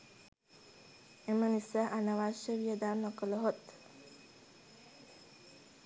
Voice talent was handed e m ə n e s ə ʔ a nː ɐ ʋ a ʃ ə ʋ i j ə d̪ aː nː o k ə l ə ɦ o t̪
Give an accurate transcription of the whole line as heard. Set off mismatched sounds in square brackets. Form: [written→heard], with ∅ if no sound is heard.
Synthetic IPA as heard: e m ə n [e→i] s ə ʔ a [nː→n] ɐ ʋ a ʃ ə ʋ i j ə d̪ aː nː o k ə l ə ɦ o t̪